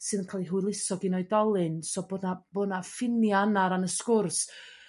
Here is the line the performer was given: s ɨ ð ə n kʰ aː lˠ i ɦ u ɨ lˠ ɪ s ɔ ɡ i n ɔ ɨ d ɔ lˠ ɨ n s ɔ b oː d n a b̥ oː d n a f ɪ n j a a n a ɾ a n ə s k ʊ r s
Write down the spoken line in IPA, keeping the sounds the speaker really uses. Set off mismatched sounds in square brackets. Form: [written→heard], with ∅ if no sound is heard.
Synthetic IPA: s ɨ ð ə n kʰ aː lˠ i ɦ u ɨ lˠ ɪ s ɔ ɡ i n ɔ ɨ d ɔ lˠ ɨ n s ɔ b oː d n a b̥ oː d n a f ɪ n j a a n a ɾ a n ə s k ʊ r s